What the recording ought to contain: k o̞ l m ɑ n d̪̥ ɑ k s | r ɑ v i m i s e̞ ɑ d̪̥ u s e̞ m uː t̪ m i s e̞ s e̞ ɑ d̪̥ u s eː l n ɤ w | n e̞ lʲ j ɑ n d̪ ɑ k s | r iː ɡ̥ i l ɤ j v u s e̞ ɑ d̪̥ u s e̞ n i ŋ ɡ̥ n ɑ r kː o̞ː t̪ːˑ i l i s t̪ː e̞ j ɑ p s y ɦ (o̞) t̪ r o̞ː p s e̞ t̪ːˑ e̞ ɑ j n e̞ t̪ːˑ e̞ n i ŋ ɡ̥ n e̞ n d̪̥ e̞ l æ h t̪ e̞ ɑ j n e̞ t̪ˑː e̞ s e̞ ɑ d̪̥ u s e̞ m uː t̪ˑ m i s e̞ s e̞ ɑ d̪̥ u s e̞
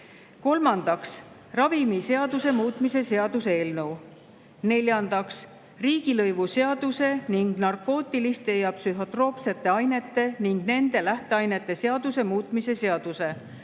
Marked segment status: correct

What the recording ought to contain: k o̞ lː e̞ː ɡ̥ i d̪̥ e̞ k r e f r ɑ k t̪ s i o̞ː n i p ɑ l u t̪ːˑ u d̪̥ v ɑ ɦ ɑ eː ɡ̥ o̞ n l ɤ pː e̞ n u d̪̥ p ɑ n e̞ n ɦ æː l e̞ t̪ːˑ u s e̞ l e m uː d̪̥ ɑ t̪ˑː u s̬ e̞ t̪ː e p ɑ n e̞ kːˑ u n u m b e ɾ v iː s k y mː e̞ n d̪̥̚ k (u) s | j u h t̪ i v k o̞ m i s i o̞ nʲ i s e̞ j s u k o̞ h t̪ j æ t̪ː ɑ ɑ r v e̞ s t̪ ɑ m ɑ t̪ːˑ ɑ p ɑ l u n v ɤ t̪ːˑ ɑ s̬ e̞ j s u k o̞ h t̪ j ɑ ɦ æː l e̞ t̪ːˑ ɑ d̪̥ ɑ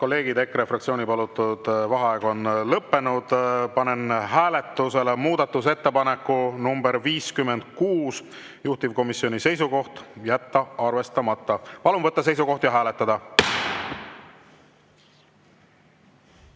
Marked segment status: incorrect: uː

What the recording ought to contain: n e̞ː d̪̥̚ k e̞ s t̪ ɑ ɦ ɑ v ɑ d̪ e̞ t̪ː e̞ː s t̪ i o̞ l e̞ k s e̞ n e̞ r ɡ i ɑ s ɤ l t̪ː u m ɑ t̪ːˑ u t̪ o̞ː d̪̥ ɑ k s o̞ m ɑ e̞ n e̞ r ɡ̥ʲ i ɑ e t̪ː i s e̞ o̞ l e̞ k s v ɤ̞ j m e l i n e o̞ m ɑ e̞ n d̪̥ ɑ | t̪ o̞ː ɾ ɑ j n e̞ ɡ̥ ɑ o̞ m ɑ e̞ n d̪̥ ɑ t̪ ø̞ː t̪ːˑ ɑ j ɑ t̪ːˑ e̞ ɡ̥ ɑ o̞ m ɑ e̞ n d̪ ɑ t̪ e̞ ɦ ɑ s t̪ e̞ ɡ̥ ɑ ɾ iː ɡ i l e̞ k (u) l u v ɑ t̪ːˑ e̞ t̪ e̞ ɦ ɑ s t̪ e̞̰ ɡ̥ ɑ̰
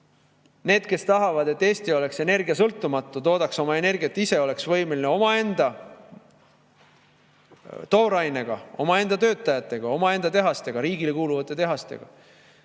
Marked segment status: incorrect: uː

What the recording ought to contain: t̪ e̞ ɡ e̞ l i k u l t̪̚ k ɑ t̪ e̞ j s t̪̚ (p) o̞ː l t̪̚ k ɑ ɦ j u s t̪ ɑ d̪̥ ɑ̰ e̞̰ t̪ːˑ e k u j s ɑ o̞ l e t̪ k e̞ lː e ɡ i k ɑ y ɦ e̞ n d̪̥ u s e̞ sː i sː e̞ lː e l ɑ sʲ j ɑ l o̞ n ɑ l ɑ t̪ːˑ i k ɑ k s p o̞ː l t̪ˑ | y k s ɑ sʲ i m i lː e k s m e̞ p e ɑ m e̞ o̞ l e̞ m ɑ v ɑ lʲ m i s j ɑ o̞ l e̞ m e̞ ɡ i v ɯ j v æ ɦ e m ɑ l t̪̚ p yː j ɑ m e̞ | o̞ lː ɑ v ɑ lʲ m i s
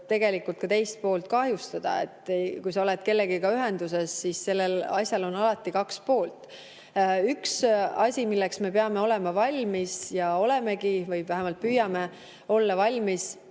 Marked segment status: correct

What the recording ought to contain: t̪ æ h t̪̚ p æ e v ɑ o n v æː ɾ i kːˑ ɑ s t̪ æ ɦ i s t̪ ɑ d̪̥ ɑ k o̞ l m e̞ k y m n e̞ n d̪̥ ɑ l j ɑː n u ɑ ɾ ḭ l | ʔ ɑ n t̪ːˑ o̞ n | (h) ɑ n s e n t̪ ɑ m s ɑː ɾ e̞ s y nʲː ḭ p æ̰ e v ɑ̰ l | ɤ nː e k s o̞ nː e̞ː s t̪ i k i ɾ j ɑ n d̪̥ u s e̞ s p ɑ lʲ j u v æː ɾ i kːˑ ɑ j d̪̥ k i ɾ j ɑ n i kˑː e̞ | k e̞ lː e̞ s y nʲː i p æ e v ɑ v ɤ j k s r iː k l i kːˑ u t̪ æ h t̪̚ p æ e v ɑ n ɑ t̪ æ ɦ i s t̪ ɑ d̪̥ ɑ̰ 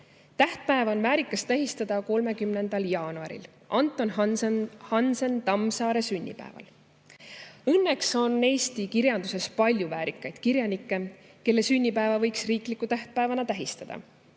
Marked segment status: correct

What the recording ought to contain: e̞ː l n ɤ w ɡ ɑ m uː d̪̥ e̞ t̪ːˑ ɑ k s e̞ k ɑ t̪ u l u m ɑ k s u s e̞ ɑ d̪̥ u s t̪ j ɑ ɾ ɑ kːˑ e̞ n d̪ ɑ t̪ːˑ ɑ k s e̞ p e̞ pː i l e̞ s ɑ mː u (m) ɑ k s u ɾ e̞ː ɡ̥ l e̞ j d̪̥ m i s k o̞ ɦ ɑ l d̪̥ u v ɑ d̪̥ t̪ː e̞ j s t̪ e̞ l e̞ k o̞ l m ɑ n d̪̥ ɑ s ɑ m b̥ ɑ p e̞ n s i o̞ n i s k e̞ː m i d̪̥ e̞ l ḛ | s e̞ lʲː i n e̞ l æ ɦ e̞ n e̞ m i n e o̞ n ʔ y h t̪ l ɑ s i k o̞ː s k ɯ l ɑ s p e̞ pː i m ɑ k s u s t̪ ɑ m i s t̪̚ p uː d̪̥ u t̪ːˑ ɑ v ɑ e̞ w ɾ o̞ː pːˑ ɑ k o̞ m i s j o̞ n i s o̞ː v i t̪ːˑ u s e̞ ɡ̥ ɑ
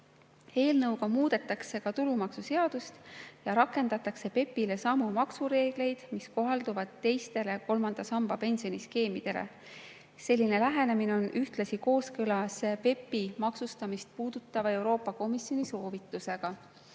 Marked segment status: correct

